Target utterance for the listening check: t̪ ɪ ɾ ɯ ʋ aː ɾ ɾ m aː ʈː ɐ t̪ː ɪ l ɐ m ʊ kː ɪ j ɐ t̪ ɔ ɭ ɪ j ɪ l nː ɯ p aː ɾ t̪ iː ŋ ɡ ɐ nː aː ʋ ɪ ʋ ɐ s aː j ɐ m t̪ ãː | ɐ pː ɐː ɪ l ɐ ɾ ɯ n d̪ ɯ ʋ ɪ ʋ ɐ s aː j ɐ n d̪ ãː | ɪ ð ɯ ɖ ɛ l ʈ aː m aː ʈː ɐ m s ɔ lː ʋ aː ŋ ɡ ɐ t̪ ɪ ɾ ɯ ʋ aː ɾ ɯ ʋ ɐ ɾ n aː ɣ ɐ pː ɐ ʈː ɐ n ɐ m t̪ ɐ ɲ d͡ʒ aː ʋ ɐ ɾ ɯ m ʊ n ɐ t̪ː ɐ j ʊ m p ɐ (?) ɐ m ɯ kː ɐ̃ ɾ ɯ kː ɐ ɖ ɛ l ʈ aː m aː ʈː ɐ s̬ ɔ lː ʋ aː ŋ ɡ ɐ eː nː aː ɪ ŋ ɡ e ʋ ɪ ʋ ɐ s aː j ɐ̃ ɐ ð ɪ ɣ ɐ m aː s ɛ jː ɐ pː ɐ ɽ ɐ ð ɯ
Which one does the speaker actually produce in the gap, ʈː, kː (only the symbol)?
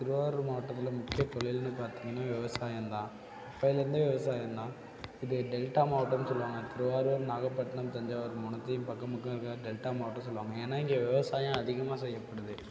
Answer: kː